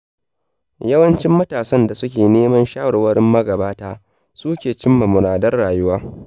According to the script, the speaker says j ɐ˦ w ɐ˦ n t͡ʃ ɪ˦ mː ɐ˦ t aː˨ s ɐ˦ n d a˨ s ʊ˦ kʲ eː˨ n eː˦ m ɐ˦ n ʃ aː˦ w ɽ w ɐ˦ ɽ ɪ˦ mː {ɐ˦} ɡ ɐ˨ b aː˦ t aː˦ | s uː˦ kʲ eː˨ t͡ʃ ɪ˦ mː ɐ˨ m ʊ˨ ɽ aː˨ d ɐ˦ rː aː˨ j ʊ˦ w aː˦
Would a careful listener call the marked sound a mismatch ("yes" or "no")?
no